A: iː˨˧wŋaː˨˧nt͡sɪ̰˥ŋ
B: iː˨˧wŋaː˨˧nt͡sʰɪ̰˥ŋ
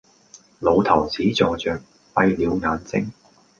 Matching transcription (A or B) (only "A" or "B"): A